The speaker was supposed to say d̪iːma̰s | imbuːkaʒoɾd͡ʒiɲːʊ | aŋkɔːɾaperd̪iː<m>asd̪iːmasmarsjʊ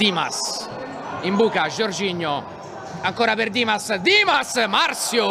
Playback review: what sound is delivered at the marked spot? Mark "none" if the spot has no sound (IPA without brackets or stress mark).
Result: m